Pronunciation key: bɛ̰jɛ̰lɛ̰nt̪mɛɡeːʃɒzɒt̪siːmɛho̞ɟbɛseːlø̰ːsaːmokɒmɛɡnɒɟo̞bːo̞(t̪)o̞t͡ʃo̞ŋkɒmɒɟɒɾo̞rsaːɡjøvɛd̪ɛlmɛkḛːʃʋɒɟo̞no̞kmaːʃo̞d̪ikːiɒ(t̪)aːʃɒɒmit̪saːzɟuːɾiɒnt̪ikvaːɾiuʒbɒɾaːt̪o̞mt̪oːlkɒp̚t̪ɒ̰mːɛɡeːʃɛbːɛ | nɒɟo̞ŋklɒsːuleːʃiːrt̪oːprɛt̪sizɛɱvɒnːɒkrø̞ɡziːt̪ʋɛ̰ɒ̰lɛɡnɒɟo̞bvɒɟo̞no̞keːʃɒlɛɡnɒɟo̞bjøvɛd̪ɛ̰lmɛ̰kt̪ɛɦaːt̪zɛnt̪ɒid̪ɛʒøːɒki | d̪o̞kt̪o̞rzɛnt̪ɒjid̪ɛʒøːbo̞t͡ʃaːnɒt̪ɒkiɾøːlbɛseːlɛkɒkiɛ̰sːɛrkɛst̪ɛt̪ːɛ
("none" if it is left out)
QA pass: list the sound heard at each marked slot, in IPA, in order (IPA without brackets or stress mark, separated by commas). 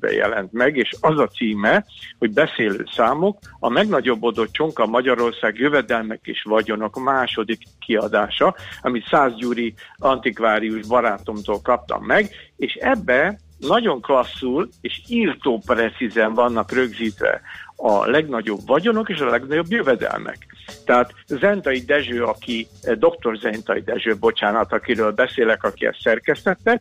d̪, d̪